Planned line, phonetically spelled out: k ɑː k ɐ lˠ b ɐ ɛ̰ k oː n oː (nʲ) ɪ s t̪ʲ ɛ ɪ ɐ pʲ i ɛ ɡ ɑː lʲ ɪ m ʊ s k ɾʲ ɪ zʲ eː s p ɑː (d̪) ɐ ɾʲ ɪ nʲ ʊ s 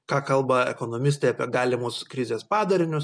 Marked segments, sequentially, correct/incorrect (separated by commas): incorrect, correct